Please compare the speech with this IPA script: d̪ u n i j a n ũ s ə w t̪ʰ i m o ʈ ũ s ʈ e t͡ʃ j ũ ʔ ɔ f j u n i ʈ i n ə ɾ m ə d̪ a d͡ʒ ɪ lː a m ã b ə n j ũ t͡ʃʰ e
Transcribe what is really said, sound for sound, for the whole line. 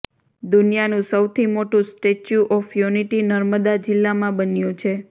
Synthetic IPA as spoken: d̪ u n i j a n ũ s ə w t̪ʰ i m o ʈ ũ s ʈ e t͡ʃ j u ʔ ɔ f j u n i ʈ i n ə ɾ m ə d̪ a d͡ʒ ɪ lː a m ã b ə n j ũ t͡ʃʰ e